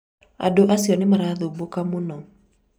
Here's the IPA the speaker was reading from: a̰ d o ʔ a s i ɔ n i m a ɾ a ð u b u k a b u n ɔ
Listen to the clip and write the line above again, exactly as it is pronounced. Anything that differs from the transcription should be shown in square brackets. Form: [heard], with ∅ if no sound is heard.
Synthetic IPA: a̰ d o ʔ a s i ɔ n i m a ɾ a ð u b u k a [m] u n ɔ